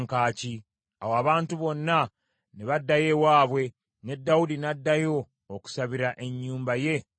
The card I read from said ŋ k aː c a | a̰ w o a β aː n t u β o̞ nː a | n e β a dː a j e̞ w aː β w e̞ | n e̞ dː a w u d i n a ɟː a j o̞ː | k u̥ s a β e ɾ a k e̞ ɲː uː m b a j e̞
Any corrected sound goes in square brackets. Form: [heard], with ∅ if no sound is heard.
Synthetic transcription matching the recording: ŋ k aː c [i] | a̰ w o a β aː n t u β o̞ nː a | n e β a dː a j e̞ w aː β w e̞ | n e̞ dː a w u d i n a [dː] a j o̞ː | k u̥ s a β [i] ɾ a [ʔ] e̞ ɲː uː m b a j e̞